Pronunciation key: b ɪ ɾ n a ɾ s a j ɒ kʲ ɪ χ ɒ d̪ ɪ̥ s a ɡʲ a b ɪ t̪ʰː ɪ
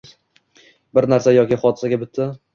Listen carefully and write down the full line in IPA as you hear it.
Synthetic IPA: b ɪ ɾ n a ɾ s a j ɒ kʲ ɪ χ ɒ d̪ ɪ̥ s a ɡʲ a b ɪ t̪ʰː ɪ